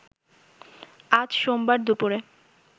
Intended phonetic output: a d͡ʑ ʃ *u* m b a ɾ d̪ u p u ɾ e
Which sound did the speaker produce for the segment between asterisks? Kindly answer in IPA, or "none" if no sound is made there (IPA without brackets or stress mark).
o